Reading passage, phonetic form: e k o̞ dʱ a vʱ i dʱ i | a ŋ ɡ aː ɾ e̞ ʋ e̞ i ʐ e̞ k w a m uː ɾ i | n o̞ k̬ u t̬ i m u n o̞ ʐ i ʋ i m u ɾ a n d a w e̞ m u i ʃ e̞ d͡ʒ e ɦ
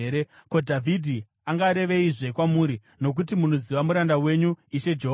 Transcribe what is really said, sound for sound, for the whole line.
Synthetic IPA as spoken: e k o̞ dʱ a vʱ i dʱ i | a ŋ ɡ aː ɾ e̞ ʋ e̞ i ʐ e̞ k w a m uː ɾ i | n o̞ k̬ u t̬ i m u n o̞ z i ʋ a m u ɾ a n d a w e̞ ɲ u i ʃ e̞ d͡ʒ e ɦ

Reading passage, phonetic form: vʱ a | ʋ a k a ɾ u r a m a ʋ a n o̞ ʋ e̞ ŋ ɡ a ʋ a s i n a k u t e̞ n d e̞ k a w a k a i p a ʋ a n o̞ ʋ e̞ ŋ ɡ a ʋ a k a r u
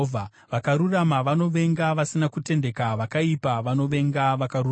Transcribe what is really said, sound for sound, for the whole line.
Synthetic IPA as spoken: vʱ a | ʋ a k a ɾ u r a m a ʋ a n o̞ ʋ e̞ ŋ ɡ a ʋ a s i n a k u t e̞ n d e̞ k a ʋ a k a i p a ʋ a n o̞ ʋ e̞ ŋ ɡ a ʋ a k a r u

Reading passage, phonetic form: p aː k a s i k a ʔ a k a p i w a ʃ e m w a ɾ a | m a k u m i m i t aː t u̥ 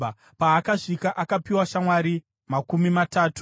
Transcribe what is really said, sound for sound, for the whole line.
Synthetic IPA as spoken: p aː k a ʂ i k a ʔ a k a p i w a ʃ a m w a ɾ i | m a k u m i m a t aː t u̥

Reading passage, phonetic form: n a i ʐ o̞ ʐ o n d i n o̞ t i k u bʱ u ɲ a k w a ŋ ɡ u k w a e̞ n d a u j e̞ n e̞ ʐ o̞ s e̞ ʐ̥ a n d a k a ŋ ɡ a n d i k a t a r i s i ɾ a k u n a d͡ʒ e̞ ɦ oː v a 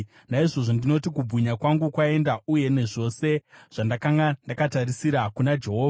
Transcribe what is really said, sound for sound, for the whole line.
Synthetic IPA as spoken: n a i ʐ o̞ ʐ o n d i n o̞ t i k u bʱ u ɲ a k w a ŋ ɡ u k w a e̞ n d a u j e̞ n e̞ ʐ o̞ s e̞ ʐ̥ a n d a k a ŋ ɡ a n d a k a t a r i s i ɾ a k u n a d͡ʒ e̞ ɦ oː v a

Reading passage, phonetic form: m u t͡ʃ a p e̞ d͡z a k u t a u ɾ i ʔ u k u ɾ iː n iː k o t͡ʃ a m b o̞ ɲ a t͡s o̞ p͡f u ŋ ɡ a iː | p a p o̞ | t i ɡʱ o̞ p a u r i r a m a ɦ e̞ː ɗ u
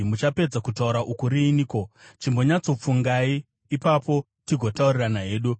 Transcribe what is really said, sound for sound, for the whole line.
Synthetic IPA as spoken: m u t͡ʃ a p e̞ d͡z a k u t a u ɾ a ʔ u k u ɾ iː n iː k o t͡ʃ i m b o̞ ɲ a t͡s o̞ p͡f u ŋ ɡ a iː | p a p o̞ | t i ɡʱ o̞ t a u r i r a n a ɦ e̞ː ɗ u

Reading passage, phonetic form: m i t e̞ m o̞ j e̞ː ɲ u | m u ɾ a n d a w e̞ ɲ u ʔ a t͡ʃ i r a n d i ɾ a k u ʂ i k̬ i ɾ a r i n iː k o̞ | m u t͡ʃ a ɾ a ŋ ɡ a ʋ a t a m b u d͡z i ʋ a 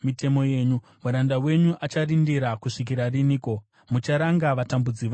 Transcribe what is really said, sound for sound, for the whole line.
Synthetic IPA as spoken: m i t e̞ m o̞ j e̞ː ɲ u | m u ɾ a n d a w e̞ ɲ u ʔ a t͡ʃ a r i n d i ɾ a k u ʂ i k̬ i ɾ a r i n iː k o̞ | m u t͡ʃ a ɾ a ŋ ɡ a ʋ a t a m b u d͡z i ʋ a

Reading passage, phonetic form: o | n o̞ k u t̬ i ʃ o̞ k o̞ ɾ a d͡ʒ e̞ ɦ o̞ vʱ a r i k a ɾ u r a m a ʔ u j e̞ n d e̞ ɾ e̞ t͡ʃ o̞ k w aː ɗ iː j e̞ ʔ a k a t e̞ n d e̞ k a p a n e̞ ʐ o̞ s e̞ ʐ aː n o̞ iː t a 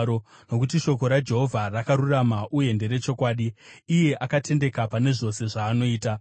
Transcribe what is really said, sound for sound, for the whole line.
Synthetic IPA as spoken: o | n o̞ k u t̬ i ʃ o̞ k o̞ ɾ a d͡ʒ e̞ ɦ o̞ vʱ a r a k a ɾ u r a m a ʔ u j e̞ n d e̞ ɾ e̞ t͡ʃ o̞ k w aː ɗ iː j e̞ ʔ a k a t e̞ n d e̞ k a p a n e̞ ʐ o̞ s e̞ ʐ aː n o̞ iː t a

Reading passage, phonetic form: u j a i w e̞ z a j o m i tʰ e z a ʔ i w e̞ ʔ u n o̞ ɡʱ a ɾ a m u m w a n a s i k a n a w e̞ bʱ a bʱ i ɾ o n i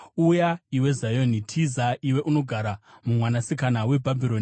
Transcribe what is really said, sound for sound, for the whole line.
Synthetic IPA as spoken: u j a i w e̞ z a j o n i tʰ i z a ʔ i w e̞ ʔ u n o̞ ɡʱ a ɾ a m u m w a n a s i k a n a w e̞ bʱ a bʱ i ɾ o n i

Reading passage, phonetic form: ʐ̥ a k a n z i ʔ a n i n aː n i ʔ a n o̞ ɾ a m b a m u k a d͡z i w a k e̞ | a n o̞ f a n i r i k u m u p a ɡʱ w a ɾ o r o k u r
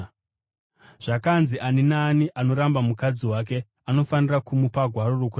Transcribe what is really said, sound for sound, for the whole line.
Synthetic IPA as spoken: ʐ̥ a k a n z i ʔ a n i n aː n i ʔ a n o̞ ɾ a m b a m u k a d͡z i w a k e̞ | a n o̞ f a n i r a k u m u p a ɡʱ w a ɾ o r o k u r

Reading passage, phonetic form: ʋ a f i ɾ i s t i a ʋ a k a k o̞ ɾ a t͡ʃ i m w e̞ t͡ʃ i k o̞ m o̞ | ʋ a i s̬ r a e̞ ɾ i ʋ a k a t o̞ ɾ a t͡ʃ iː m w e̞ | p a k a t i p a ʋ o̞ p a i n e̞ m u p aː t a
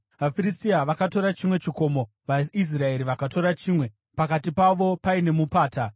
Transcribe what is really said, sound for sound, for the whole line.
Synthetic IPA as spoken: ʋ a f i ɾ i s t i a ʋ a k a t o̞ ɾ a t͡ʃ i m w e̞ t͡ʃ i k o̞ m o̞ | ʋ a i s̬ r a e̞ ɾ i ʋ a k a t o̞ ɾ a t͡ʃ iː m w e̞ | p a k a t i p a ʋ o̞ p a i n e̞ m u p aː t a

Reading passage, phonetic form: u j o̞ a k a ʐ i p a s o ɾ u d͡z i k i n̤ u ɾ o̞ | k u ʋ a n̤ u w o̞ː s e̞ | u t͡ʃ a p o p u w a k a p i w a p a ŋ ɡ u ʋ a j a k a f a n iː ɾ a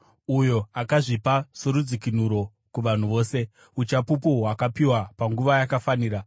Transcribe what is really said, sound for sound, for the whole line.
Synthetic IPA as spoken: u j o̞ a k a ʐ i p a s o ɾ u d͡z i k i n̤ u ɾ o̞ | k u ʋ a n̤ u ʋ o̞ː s e̞ | u t͡ʃ a p u p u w a k a p i w a p a ŋ ɡ u ʋ a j a k a f a n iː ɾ a

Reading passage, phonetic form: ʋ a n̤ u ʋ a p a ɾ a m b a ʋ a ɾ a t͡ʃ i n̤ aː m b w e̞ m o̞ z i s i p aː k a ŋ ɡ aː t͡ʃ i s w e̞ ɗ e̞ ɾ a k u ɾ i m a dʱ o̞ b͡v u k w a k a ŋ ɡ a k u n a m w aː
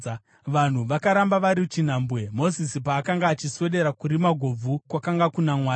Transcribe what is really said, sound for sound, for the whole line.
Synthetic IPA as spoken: ʋ a n̤ u ʋ a k a ɾ a m b a ʋ a ɾ i t͡ʃ i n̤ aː m b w e̞ m o̞ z i s i p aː k a ŋ ɡ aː t͡ʃ i s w e̞ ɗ e̞ ɾ a k u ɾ i m a ɡʱ o̞ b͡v u k w a k a ŋ ɡ a k u n a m w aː

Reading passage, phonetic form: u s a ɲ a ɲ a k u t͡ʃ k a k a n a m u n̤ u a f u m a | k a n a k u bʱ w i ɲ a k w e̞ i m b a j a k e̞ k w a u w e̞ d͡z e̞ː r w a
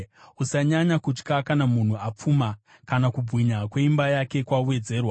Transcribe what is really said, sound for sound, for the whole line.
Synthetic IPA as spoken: u s a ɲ a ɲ a k u t͡ʃ k a k a n a m u n̤ u a p͡f u m a | k a n a k u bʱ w i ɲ a k w e̞ i m b a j a k e̞ k w a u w e̞ d͡z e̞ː r w a

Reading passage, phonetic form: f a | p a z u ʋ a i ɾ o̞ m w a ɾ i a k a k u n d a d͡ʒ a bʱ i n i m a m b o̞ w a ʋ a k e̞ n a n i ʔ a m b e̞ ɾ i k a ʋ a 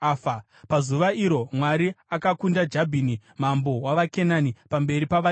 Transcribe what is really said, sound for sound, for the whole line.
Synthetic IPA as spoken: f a | p a z u ʋ a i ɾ o̞ m w a ɾ i a k a k u n d a d͡ʒ a bʱ i n i m a m b o̞ w a ʋ a k e̞ n a n i p a m b e̞ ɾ i p a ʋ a

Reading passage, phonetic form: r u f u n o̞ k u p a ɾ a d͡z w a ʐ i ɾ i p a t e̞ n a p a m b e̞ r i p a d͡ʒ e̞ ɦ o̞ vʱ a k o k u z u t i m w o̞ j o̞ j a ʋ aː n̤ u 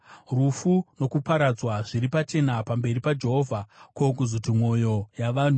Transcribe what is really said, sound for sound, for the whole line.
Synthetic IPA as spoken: r u f u n o̞ k u p a ɾ a d͡z w a ʐ i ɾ i p a t͡ʃ e̞ n a p a m b e̞ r i p a d͡ʒ e̞ ɦ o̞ vʱ a k o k u z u t i m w o̞ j o̞ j a ʋ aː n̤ u

